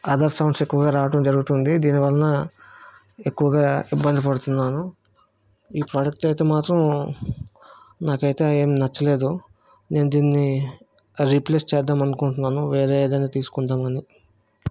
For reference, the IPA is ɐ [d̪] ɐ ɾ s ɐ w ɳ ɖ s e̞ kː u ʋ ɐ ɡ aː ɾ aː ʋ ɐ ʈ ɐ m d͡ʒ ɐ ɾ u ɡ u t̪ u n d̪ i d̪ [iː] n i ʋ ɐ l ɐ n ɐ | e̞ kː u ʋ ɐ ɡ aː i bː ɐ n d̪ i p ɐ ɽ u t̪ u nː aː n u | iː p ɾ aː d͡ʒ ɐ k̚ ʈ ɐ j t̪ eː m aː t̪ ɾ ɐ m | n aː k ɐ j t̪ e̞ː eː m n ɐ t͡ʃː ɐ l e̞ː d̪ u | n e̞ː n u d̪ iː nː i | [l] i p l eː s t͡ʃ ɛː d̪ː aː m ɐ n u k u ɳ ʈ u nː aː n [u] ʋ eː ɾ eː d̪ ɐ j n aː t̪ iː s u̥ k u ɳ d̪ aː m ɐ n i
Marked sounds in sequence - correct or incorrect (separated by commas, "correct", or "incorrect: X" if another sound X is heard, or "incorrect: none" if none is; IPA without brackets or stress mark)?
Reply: correct, correct, incorrect: ɾ, correct